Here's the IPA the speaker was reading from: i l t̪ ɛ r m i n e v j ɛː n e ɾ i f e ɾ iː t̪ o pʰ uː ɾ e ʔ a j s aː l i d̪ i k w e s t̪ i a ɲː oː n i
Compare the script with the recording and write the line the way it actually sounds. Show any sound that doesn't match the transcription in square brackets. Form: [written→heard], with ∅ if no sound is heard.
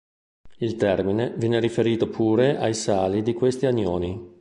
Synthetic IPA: i l t̪ ɛ r m i n e v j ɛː n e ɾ i f e ɾ iː t̪ o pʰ uː ɾ e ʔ a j s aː l i d̪ i k w e s t̪ i a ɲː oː n i